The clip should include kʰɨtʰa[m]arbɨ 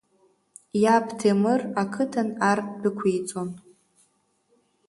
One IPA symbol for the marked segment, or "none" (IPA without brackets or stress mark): n